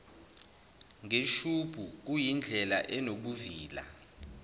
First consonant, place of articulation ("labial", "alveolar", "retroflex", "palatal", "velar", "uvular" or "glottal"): velar